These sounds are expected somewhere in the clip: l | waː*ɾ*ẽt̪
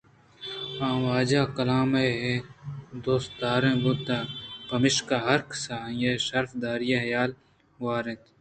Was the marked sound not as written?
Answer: no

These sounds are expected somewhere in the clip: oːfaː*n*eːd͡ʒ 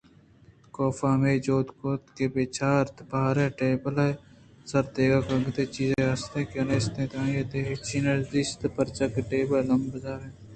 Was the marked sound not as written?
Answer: yes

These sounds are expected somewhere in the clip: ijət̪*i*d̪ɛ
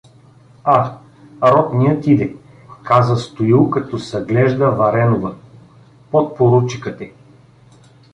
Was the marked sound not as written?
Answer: no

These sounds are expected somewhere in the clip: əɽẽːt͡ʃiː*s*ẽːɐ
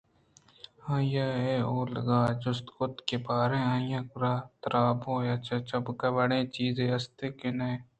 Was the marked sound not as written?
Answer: yes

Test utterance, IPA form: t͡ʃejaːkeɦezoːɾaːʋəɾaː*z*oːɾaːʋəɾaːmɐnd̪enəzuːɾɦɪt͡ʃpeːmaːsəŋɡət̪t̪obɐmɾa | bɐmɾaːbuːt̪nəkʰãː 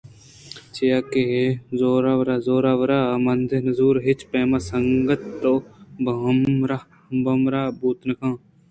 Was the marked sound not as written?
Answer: no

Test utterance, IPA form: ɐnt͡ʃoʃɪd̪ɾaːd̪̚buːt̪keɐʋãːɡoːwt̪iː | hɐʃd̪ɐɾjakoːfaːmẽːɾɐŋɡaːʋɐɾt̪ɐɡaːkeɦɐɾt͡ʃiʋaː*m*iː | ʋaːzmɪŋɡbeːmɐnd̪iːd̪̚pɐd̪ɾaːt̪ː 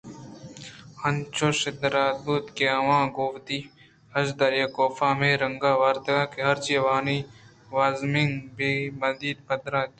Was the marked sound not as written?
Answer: yes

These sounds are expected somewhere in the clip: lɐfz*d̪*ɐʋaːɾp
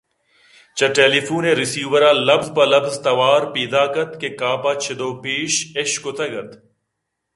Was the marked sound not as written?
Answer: yes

